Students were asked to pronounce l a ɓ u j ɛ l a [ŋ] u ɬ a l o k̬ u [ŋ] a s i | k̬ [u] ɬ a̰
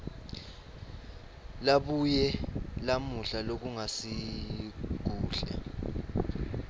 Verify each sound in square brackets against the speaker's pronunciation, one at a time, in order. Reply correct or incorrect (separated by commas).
incorrect, correct, incorrect